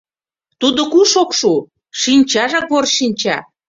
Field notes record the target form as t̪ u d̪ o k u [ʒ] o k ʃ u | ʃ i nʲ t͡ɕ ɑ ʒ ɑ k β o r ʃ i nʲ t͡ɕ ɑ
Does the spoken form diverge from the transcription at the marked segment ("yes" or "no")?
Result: yes